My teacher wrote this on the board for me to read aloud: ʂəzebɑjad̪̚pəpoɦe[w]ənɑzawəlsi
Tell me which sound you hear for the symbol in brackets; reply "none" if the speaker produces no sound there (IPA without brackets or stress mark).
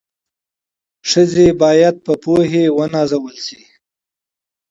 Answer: w